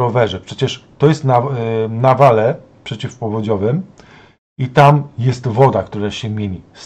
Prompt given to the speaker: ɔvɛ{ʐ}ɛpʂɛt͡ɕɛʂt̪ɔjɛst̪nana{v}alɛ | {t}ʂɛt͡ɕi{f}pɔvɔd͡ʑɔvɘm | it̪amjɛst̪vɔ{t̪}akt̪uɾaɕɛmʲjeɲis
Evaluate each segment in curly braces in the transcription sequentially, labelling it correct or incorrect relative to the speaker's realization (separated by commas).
correct, correct, incorrect, correct, incorrect